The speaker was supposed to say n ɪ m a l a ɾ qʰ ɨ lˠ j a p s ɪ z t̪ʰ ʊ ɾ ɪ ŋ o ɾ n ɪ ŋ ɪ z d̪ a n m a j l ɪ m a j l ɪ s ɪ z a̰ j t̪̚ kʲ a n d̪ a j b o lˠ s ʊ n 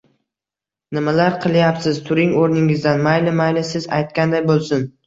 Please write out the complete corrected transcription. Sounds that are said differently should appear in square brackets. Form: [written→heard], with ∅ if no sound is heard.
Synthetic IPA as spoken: n ɪ m a l a ɾ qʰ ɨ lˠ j a p s ɪ z t̪ʰ ʊ ɾ ɪ ŋ o ɾ n ɪ ŋ ɪ z d̪ a n m a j l ɪ m a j l ɪ s ɪ z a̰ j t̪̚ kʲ a n d̪ a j b o lˠ s ʊ n